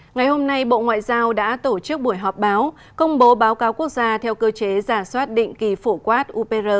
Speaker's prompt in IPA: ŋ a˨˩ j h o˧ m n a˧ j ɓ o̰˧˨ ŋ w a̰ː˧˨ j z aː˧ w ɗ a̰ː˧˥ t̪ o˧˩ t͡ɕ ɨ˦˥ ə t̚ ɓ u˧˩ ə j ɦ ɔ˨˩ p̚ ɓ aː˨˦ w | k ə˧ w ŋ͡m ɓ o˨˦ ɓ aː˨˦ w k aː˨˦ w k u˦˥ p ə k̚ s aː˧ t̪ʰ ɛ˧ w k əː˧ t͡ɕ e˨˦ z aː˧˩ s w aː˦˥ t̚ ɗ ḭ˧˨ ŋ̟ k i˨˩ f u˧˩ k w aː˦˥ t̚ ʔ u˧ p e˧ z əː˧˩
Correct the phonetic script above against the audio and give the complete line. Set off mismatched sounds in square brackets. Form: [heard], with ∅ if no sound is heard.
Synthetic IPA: ŋ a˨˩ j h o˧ m n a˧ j ɓ o̰˧˨ ŋ w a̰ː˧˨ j z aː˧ w ɗ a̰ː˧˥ t̪ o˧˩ t͡ɕ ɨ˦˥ ə [k̚] ɓ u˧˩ ə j ɦ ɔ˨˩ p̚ ɓ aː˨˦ w | k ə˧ w ŋ͡m ɓ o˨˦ ɓ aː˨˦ w k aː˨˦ w k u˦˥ [∅] ə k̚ [z] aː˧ t̪ʰ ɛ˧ w k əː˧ t͡ɕ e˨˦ z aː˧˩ s w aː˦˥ t̚ ɗ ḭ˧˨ ŋ̟ k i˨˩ f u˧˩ k w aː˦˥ t̚ ʔ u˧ p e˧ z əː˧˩